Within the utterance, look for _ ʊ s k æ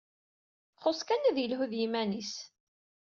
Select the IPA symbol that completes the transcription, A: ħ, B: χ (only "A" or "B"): B